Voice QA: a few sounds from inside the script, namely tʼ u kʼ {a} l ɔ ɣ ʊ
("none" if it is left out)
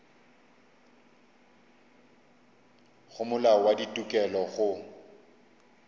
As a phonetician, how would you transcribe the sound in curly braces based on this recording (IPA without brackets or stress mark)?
ɛ